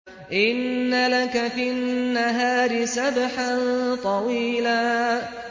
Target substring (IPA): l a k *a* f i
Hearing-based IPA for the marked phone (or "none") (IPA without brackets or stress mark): a